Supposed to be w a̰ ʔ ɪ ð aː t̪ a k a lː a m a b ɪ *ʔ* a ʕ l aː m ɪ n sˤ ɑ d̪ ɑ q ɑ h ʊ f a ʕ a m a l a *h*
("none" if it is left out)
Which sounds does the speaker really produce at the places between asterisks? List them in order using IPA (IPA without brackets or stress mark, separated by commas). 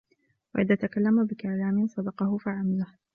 k, h